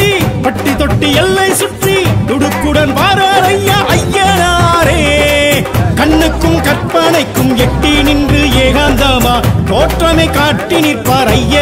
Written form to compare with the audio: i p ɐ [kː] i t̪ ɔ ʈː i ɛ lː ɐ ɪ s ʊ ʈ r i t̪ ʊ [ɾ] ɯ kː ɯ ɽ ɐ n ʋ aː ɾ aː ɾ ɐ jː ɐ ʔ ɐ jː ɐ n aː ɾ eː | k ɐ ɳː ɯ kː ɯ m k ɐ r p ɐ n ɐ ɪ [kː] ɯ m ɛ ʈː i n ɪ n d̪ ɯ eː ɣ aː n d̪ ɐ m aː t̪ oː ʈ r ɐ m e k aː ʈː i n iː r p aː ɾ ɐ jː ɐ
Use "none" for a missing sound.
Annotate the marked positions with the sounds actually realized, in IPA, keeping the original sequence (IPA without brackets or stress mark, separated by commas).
ʈː, ɽ, kː